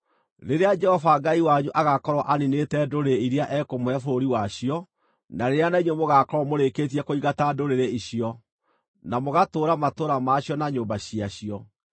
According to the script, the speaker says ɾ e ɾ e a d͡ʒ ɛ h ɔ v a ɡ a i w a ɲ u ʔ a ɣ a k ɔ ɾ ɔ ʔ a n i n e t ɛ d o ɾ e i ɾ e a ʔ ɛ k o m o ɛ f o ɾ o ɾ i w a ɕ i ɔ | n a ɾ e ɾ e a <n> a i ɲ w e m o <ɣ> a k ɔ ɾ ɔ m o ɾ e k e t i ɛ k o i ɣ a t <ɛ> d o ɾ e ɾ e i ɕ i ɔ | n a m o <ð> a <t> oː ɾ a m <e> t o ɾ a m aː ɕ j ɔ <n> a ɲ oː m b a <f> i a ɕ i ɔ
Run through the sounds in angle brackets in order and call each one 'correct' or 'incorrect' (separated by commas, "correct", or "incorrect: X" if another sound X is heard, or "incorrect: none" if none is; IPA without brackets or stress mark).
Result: correct, correct, incorrect: a, incorrect: ɣ, correct, incorrect: a, correct, incorrect: ɕ